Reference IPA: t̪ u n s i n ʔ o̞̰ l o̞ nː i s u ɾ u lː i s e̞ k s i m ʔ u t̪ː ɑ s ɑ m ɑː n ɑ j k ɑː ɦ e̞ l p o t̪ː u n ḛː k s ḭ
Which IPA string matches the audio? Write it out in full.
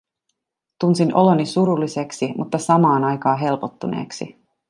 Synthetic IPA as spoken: t̪ u n s i n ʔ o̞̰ l o̞ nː i s u ɾ u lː i s e̞ k s i m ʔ u t̪ː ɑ s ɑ m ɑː n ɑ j k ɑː ɦ e̞ l p o t̪ː u n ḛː k s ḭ